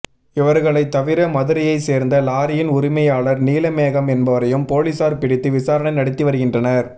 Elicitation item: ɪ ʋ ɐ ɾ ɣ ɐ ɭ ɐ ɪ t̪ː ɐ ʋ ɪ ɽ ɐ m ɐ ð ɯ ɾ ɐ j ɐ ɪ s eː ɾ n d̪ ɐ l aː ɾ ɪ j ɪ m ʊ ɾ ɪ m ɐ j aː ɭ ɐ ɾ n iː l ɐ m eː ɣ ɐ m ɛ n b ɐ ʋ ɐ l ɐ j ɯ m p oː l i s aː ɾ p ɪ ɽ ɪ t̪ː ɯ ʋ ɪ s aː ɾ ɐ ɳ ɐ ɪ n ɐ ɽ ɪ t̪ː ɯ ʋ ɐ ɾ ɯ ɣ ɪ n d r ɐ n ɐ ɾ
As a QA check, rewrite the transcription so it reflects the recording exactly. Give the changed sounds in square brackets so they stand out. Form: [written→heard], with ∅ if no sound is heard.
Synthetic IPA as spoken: ɪ ʋ ɐ ɾ ɣ ɐ ɭ ɐ ɪ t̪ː ɐ ʋ ɪ [ɽ→ɾ] ɐ m ɐ ð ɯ ɾ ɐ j ɐ ɪ s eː ɾ n d̪ ɐ l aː ɾ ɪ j ɪ [m→n] ʊ ɾ ɪ m ɐ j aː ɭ ɐ ɾ n iː l ɐ m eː ɣ ɐ m ɛ n b ɐ ʋ ɐ [l→ɾ] ɐ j ɯ m p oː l i s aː ɾ p ɪ ɽ ɪ t̪ː ɯ ʋ ɪ s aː ɾ ɐ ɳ ɐ ɪ n ɐ ɽ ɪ t̪ː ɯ ʋ ɐ ɾ ɯ ɣ ɪ n d r ɐ n ɐ ɾ